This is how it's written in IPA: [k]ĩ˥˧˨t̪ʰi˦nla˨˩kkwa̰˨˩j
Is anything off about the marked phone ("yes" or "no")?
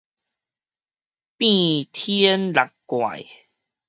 yes